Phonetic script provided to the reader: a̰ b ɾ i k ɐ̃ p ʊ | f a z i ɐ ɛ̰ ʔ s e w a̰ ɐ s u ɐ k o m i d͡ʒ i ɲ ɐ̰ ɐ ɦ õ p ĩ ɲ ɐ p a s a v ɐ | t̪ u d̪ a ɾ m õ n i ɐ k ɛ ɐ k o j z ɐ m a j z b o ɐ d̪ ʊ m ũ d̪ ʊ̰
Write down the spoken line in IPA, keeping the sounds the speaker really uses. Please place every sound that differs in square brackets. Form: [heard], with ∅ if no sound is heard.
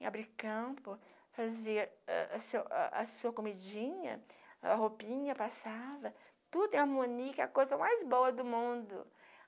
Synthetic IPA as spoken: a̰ b ɾ i k ɐ̃ p ʊ | f a z i ɐ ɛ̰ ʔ s e w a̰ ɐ s u ɐ k o m i d͡ʒ [ĩ] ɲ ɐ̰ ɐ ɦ [o] p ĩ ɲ ɐ p a s a v ɐ | t̪ u d̪ a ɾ m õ n i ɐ k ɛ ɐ k o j z ɐ m a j z b o ɐ d̪ ʊ m ũ d̪ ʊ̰